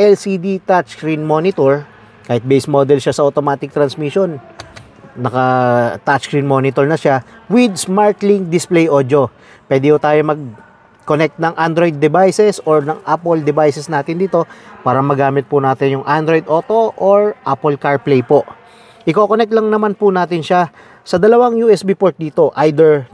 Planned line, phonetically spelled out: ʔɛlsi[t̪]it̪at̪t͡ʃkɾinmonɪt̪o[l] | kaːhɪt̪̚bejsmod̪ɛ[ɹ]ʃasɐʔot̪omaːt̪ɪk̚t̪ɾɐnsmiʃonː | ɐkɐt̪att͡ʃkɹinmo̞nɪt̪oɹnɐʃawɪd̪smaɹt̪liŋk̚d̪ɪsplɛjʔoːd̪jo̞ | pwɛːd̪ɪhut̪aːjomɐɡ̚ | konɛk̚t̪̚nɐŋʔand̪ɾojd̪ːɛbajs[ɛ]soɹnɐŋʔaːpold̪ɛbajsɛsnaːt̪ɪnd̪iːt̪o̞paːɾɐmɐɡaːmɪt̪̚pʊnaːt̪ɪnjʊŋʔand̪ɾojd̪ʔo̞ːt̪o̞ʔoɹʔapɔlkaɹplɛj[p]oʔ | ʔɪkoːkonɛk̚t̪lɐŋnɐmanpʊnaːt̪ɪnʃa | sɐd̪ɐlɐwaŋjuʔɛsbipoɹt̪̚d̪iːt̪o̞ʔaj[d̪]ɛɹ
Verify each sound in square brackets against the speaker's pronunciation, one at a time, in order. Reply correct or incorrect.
incorrect, incorrect, incorrect, correct, correct, correct

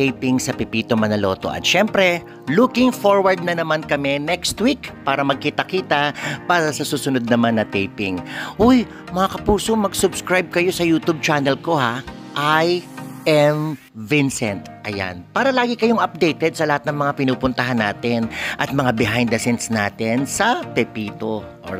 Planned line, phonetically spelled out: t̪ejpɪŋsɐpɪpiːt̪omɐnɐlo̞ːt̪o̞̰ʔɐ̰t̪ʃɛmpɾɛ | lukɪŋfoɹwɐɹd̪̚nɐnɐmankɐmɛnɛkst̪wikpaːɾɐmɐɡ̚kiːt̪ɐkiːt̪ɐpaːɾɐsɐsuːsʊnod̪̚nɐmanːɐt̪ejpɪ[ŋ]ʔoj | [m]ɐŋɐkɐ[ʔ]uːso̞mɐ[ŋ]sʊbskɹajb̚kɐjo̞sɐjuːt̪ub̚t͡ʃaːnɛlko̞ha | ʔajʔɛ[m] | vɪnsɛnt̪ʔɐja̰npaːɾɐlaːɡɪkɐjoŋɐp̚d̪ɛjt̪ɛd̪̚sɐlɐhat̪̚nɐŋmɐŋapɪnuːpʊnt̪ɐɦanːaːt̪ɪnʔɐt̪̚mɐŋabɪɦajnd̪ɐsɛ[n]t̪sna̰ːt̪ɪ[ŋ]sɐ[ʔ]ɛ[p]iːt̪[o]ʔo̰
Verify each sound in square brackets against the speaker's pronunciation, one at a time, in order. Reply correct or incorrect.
correct, correct, incorrect, incorrect, correct, correct, incorrect, incorrect, correct, correct

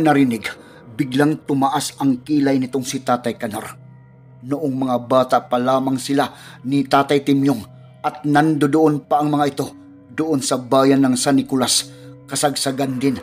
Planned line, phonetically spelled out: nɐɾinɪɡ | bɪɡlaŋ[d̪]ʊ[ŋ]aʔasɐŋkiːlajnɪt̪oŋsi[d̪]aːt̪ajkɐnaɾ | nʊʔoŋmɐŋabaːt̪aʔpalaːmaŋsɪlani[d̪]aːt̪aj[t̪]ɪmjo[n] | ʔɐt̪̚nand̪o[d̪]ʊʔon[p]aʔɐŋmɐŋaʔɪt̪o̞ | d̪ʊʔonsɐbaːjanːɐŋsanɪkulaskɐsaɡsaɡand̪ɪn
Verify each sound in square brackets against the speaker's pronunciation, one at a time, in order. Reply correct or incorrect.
incorrect, incorrect, incorrect, incorrect, correct, incorrect, correct, correct

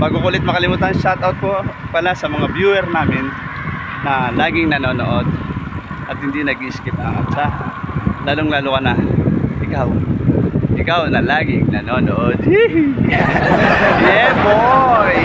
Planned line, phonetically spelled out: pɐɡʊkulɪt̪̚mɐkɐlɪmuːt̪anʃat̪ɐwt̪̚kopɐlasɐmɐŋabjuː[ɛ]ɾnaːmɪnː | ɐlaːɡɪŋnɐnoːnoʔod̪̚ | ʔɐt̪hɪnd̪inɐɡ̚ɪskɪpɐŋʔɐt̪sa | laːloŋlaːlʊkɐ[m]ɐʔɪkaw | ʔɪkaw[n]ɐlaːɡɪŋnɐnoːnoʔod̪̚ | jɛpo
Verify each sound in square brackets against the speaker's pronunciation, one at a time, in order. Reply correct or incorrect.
correct, incorrect, correct

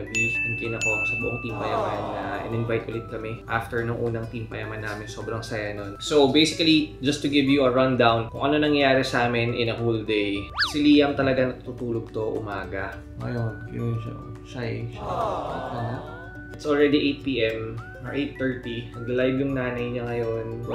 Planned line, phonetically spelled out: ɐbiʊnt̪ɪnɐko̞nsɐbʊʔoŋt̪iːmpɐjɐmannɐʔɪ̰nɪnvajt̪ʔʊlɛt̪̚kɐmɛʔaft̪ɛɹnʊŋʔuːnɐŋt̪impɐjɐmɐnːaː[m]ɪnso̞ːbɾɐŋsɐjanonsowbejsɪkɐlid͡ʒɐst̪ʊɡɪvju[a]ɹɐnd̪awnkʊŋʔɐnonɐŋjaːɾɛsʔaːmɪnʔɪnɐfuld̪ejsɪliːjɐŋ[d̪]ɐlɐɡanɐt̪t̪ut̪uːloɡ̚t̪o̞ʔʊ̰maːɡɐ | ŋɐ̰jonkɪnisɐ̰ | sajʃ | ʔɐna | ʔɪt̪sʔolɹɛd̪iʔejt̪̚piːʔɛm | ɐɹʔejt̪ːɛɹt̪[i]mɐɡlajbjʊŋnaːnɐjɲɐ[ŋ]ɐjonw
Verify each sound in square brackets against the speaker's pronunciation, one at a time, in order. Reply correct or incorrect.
correct, incorrect, incorrect, correct, correct

